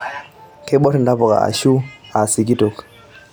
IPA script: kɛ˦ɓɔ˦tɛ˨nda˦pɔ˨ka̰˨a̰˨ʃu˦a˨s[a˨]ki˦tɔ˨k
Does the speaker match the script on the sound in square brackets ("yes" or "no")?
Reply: no